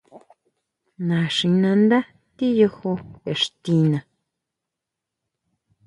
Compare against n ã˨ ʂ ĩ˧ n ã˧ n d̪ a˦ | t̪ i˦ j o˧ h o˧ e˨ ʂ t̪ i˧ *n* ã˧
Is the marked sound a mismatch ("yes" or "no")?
no